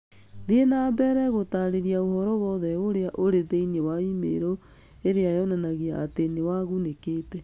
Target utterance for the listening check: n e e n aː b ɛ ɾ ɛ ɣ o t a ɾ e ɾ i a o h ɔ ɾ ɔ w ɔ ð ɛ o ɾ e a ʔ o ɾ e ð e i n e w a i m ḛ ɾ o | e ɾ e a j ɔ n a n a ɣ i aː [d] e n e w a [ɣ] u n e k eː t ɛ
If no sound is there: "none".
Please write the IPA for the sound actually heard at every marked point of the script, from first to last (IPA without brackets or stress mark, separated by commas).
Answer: t, ɣ